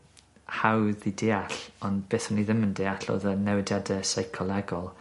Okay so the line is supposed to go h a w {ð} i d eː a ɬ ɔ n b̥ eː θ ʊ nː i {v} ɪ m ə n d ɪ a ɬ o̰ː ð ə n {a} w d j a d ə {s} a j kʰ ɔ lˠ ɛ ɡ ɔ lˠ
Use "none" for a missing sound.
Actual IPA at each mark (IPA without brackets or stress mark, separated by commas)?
ð, ð, ɛ, s